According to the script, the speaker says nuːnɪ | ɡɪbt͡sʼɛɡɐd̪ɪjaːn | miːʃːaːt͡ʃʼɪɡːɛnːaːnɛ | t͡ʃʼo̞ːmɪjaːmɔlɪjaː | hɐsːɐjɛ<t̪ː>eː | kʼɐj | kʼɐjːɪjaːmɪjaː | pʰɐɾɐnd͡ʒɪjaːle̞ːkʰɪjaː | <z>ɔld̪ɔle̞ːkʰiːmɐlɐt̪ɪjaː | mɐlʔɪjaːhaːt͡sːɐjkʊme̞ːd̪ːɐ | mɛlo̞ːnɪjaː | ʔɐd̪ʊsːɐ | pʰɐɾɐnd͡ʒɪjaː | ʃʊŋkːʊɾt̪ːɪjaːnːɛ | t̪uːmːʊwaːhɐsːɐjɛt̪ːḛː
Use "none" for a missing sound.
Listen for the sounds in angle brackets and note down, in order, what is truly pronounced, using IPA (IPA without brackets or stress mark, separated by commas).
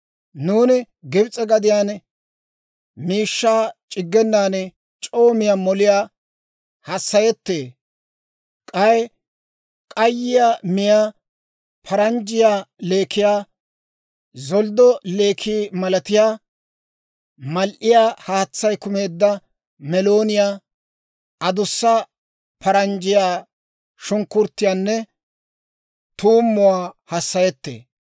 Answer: t̪ː, z